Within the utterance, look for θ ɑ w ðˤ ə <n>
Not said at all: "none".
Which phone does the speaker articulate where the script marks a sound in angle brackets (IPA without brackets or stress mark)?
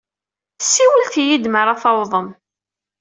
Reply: m